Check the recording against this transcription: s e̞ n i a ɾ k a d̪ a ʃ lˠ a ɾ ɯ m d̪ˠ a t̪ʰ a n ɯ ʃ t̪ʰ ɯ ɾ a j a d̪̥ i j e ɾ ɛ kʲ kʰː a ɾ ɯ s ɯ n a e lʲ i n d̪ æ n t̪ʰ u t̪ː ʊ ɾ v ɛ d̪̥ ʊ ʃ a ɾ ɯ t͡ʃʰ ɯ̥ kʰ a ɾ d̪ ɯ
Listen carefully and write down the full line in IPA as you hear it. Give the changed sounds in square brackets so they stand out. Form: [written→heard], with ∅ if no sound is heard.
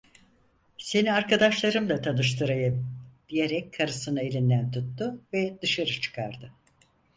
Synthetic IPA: s e̞ n i a ɾ k a d̪ a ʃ lˠ a ɾ ɯ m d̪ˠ a t̪ʰ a n ɯ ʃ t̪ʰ ɯ ɾ a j a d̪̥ i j e ɾ ɛ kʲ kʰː a ɾ ɯ s ɯ n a e lʲ i n d̪ æ n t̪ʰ u t̪ː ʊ [ɾ→∅] v ɛ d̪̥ [ʊ→ɯ] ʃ a ɾ ɯ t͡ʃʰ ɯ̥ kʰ a ɾ d̪ ɯ

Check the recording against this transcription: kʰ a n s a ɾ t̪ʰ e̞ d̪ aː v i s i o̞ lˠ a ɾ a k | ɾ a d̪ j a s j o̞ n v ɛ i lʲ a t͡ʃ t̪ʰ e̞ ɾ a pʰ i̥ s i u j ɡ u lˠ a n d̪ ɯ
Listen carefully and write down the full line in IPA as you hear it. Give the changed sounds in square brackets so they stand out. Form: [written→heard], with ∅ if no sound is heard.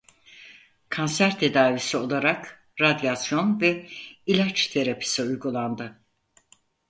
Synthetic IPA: kʰ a n s [a→æ] ɾ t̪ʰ e̞ d̪ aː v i s i o̞ lˠ a ɾ a k | ɾ a d̪ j a s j o̞ n v ɛ i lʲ a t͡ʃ t̪ʰ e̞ ɾ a pʰ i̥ s i u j ɡ u lˠ a n d̪ ɯ

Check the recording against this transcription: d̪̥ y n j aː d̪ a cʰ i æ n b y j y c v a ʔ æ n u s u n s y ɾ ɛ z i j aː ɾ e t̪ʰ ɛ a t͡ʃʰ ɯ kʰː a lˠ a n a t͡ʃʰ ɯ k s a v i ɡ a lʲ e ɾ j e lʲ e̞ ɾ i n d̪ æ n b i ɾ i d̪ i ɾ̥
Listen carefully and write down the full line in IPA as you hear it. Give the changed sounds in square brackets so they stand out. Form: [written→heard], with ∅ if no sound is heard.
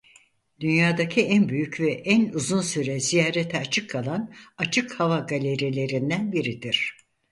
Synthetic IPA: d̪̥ y n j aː d̪ a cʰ i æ n b y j y c v [a→ɛ] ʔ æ n u [s→z] u n s y ɾ ɛ z i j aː ɾ e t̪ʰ ɛ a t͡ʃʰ ɯ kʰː a lˠ a n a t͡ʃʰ ɯ k [s→h] a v [i→a] ɡ a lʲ e ɾ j e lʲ e̞ ɾ i n d̪ æ n b i ɾ i d̪ i ɾ̥

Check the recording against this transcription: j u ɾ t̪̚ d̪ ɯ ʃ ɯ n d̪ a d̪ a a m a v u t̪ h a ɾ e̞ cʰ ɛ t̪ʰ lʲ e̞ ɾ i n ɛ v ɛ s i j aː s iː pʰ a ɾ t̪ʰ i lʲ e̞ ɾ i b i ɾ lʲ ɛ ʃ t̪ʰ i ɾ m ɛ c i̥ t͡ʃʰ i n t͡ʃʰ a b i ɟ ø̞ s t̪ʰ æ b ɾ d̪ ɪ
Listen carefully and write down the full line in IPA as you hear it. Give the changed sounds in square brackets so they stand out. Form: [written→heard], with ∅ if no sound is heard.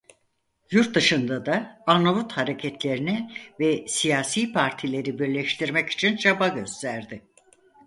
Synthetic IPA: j u ɾ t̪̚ d̪ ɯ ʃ ɯ n d̪ a d̪ a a [m→n] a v u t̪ h a ɾ e̞ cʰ ɛ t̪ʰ lʲ e̞ ɾ i n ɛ v ɛ s i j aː s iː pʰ a ɾ t̪ʰ i lʲ e̞ ɾ i b i ɾ lʲ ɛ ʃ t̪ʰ i ɾ m ɛ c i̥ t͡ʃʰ i n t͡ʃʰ a b [i→a] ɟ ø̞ s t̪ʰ æ [b→∅] ɾ d̪ ɪ

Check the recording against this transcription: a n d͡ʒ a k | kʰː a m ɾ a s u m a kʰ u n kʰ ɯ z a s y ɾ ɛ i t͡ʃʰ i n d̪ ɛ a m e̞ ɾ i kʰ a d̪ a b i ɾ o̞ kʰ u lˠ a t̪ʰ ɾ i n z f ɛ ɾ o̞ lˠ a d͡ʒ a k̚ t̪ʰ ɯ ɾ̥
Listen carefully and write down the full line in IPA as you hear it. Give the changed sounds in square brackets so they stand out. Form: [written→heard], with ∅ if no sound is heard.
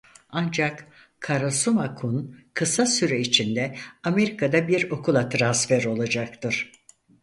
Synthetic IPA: a n d͡ʒ a k | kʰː a [m→∅] ɾ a s u m a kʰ u n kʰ ɯ [z→s] a s y ɾ ɛ i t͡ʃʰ i n d̪ ɛ a m e̞ ɾ i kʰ a d̪ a b i ɾ o̞ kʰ u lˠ a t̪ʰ ɾ [i→a] n [z→s] f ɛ ɾ o̞ lˠ a d͡ʒ a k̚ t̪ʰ ɯ ɾ̥

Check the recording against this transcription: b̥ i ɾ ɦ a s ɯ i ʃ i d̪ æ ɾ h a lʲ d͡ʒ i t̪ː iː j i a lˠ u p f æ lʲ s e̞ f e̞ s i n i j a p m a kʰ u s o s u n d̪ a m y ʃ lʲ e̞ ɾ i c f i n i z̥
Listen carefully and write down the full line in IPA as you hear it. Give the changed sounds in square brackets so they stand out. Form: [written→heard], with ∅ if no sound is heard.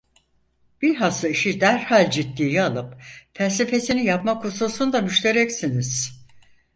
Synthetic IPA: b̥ i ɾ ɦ a s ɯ i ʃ i d̪ æ ɾ h a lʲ d͡ʒ i t̪ː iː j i a lˠ [u→ɯ] p f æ lʲ s e̞ f e̞ s i n i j a p m a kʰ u s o s u n d̪ a m y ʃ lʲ e̞ ɾ [i→ɛ] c [f→s] i n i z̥

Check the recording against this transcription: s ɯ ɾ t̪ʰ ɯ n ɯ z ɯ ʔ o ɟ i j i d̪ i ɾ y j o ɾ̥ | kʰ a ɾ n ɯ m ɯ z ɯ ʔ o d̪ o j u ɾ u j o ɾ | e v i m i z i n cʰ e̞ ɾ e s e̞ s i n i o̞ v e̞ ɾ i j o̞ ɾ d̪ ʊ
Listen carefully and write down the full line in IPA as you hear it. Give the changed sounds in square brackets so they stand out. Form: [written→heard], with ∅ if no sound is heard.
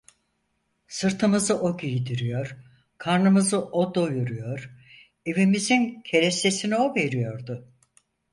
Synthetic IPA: s ɯ ɾ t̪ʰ ɯ [n→m] ɯ z ɯ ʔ o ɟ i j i d̪ i ɾ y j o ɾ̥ | kʰ a ɾ n ɯ m ɯ z ɯ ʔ o d̪ o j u ɾ u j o ɾ | e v i m i z i n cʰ e̞ ɾ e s e̞ s i n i o̞ v e̞ ɾ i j o̞ ɾ d̪ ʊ

